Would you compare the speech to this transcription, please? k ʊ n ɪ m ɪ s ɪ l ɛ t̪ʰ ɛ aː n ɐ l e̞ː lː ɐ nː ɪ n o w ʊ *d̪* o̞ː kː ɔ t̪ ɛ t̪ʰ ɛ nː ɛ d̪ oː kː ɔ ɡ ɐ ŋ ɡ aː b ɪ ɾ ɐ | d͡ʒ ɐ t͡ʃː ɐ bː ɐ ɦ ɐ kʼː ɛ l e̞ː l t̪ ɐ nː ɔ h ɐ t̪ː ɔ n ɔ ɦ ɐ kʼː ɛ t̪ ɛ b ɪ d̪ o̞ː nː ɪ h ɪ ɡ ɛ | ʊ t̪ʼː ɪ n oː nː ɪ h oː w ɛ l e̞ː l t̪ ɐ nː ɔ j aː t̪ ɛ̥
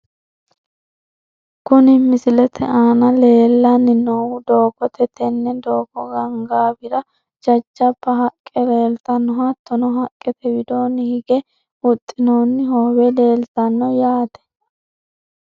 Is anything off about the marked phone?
no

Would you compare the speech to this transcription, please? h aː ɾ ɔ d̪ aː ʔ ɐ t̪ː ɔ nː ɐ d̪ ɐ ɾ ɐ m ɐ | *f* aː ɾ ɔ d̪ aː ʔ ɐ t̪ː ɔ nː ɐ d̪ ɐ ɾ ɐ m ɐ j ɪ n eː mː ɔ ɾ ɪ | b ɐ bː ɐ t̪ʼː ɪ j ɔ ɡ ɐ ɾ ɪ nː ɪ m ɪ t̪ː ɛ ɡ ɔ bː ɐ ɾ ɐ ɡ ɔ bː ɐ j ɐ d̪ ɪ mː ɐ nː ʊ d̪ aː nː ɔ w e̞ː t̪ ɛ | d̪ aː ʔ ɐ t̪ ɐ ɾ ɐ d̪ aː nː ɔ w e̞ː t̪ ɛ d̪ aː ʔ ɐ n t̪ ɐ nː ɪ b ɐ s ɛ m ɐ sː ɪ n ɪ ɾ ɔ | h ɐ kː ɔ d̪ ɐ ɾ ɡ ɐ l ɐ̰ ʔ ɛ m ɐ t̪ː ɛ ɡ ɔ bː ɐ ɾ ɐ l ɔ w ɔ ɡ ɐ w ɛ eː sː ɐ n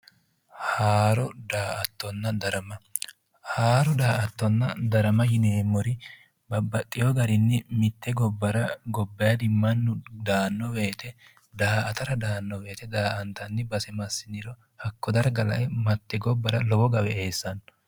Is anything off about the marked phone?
yes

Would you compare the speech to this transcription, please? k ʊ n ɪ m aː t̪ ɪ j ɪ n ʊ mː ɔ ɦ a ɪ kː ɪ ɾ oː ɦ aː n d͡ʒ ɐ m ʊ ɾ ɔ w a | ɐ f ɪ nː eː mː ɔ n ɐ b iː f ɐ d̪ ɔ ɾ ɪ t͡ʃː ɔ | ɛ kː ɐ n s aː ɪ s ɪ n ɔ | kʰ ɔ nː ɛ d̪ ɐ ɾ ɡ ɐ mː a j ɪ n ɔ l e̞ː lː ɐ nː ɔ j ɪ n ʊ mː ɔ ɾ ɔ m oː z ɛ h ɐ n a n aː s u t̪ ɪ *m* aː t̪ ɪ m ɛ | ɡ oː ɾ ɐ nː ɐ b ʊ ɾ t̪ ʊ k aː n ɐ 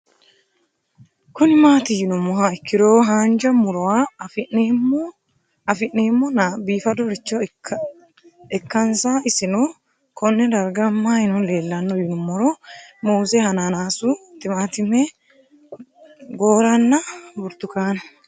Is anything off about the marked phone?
no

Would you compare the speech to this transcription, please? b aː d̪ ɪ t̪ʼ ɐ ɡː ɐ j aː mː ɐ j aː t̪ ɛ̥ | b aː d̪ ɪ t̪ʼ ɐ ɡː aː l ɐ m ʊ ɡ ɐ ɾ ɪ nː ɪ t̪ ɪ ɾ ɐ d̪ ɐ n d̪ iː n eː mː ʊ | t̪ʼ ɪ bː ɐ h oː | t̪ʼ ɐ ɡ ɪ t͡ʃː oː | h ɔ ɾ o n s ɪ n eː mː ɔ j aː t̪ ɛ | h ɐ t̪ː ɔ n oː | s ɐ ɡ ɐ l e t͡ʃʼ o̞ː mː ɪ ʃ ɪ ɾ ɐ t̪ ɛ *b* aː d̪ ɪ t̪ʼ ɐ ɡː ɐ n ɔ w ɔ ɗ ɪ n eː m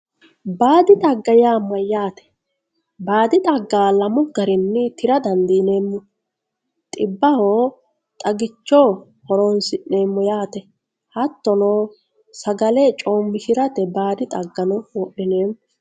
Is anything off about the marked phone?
no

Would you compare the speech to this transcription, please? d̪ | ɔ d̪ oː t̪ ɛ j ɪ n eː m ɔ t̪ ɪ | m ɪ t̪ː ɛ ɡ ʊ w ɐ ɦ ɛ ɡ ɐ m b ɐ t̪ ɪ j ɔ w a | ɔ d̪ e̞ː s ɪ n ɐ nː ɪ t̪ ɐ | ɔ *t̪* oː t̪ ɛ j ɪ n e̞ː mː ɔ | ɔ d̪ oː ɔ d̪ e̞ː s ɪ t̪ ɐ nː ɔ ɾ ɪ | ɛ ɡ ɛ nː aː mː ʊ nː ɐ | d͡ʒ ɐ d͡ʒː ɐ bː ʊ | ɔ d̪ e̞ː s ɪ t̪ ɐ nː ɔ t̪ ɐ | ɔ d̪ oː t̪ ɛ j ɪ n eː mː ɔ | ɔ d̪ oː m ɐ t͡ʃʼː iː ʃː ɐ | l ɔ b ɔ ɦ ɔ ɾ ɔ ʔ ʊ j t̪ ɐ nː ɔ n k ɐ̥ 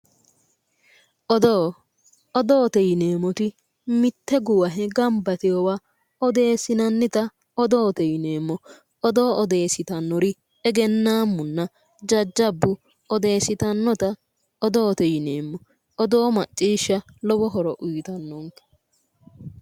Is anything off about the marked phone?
yes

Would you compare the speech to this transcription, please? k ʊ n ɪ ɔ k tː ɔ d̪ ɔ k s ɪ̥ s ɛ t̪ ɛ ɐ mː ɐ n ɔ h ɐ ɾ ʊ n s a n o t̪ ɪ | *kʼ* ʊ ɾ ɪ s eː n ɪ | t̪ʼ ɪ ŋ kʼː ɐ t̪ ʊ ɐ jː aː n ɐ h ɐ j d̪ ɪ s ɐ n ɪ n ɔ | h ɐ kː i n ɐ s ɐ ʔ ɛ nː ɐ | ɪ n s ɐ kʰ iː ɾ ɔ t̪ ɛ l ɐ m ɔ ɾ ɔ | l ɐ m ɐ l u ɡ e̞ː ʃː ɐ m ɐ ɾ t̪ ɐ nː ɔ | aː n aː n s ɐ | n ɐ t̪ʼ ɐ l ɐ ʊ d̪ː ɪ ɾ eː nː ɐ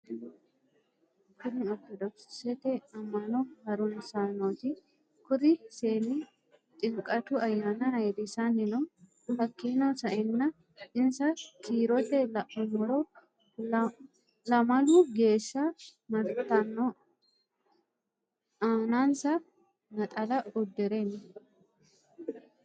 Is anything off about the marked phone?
yes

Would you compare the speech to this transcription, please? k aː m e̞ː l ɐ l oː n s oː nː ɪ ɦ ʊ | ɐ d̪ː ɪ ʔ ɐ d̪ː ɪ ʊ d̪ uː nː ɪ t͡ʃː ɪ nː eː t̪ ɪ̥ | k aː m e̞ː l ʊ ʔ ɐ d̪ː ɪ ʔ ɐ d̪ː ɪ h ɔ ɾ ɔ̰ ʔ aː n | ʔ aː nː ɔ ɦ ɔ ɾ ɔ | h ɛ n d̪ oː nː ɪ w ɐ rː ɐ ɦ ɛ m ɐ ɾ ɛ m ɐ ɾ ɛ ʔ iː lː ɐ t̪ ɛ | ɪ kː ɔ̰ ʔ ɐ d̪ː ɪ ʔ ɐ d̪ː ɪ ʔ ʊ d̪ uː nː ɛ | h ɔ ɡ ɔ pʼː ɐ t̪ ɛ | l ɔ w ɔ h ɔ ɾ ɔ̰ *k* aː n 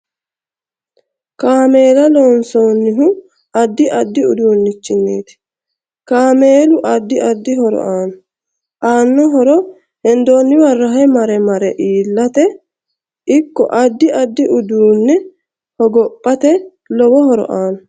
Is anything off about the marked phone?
yes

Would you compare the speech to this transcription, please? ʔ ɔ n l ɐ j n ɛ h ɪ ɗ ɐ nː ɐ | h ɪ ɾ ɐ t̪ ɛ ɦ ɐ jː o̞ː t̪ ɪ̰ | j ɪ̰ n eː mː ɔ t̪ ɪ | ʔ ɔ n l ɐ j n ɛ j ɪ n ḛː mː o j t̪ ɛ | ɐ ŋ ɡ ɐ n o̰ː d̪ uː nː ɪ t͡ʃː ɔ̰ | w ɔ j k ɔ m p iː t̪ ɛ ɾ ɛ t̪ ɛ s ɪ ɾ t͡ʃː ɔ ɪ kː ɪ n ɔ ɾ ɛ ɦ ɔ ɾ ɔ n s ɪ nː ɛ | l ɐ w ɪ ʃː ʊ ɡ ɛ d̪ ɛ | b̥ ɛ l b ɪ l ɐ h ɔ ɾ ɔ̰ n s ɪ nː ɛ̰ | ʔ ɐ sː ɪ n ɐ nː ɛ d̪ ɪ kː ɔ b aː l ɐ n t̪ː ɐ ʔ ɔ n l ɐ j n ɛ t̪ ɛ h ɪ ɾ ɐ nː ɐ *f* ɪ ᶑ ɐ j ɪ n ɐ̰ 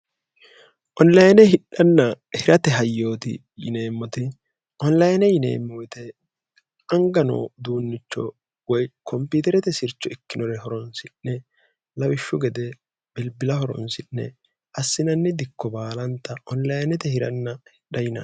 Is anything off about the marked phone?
yes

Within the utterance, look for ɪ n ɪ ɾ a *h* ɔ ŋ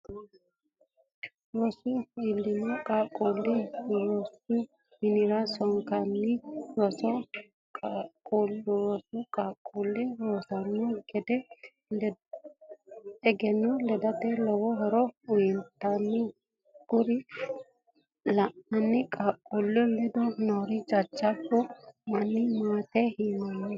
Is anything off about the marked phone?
yes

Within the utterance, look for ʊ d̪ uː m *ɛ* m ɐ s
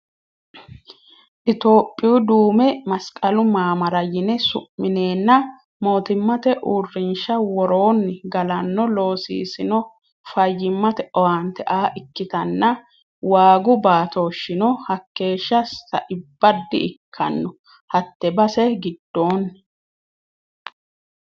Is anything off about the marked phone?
no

